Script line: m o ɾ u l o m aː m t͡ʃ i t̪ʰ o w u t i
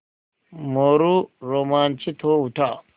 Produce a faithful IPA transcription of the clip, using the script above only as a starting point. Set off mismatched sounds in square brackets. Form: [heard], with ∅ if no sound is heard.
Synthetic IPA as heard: m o ɾ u [ɾ] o m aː [n] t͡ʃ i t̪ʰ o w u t [a]